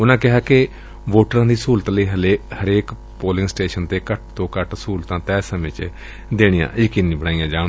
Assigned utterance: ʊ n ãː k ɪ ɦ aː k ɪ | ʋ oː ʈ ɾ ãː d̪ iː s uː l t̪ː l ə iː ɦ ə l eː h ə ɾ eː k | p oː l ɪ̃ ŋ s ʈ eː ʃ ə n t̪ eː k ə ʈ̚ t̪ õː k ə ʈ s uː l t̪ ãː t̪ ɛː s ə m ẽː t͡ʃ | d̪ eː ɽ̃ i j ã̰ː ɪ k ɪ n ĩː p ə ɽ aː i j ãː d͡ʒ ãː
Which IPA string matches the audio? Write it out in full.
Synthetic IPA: ʊ n ãː k ɪ ɦ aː k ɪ | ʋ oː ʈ ɾ ãː d̪ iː s uː l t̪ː l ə iː ɦ ə l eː h ə ɾ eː k | p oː l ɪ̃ ŋ s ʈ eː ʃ ə n t̪ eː k ə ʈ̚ t̪ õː k ə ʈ s uː l t̪ ãː t̪ ɛː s ə m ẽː t͡ʃ | d̪ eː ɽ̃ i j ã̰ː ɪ k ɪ n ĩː b ə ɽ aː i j ãː d͡ʒ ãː